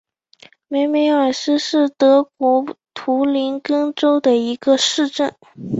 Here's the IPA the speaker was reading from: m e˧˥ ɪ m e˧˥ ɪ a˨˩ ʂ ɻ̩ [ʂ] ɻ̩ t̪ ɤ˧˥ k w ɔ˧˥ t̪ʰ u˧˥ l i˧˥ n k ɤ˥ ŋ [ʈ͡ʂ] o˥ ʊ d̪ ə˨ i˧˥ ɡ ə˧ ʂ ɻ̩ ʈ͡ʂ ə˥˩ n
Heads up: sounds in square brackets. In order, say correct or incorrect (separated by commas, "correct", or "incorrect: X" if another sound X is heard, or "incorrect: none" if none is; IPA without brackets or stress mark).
correct, correct